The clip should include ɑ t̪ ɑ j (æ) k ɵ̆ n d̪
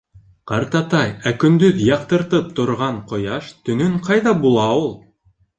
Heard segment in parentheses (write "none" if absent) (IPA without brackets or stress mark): æ